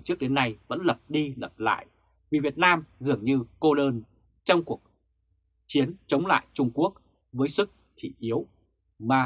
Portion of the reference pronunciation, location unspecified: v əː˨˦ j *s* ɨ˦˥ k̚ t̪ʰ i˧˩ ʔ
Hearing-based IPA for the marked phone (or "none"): s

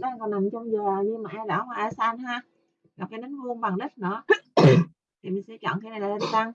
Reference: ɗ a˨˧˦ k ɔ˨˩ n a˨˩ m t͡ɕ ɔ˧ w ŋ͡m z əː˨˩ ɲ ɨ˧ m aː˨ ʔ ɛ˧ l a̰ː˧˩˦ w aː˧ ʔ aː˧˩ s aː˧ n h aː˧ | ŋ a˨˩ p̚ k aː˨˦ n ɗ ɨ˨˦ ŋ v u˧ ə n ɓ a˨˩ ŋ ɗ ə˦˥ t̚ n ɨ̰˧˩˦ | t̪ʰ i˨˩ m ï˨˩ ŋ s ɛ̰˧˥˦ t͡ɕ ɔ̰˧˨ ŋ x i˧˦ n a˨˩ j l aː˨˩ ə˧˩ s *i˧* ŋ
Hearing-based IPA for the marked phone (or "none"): a˧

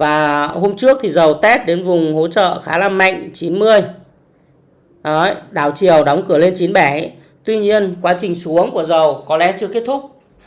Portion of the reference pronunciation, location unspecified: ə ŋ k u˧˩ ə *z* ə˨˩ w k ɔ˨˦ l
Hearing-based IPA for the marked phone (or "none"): z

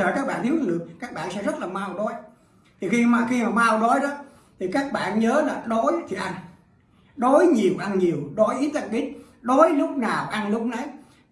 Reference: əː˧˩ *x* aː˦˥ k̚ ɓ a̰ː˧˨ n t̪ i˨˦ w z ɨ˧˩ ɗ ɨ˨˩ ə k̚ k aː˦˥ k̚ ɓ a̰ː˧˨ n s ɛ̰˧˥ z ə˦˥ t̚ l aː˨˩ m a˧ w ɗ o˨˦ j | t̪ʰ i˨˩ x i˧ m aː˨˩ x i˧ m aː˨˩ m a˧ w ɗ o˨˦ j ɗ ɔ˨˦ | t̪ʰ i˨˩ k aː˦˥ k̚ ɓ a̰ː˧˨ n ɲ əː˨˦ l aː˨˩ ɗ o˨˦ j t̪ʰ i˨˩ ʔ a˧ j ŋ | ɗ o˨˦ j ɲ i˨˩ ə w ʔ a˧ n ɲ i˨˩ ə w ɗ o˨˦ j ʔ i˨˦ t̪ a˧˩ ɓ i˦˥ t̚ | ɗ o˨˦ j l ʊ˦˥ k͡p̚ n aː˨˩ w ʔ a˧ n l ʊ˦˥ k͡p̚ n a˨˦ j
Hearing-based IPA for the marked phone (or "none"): k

